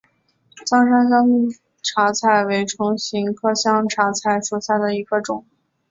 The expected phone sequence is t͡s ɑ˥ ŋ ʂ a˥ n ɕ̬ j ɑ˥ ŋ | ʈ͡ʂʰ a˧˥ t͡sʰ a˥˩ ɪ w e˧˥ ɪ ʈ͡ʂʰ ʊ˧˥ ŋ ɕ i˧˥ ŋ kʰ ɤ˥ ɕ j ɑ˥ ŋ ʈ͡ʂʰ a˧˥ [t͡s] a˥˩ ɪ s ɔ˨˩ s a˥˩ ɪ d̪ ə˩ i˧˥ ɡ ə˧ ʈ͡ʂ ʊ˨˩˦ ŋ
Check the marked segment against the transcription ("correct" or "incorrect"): incorrect